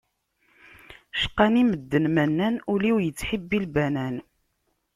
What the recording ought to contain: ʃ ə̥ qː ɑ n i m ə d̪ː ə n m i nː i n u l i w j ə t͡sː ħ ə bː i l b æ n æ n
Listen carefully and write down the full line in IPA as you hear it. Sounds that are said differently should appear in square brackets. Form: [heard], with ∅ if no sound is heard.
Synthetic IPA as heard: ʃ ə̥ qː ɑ n i m ə d̪ː ə n m [æ] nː [æ] n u l i w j ə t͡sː ħ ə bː i l b æ n æ n